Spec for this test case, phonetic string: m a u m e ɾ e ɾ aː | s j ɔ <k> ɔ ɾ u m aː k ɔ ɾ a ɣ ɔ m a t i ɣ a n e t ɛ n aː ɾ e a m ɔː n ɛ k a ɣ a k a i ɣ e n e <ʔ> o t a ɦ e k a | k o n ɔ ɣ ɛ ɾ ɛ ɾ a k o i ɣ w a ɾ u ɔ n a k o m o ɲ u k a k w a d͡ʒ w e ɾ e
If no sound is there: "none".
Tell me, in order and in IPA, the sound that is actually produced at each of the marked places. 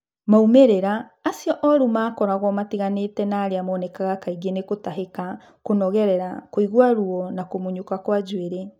ʔ, k

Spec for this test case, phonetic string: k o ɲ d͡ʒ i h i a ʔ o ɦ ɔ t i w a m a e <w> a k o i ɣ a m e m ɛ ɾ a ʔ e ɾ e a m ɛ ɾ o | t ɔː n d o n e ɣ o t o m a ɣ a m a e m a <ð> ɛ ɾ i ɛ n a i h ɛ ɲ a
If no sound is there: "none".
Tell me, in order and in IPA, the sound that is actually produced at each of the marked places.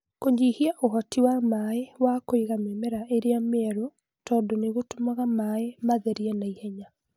w, ð

